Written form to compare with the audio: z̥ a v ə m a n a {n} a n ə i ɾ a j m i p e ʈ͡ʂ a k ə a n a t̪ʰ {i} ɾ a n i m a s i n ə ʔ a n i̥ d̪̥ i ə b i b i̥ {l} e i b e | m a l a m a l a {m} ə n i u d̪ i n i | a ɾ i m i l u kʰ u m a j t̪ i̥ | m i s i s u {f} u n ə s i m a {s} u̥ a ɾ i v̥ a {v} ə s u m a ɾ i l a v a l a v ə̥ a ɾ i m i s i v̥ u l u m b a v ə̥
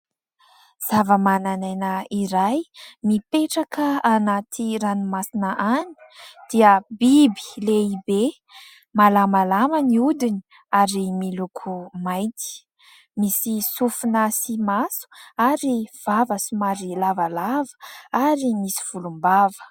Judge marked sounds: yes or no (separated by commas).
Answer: yes, yes, yes, yes, yes, yes, yes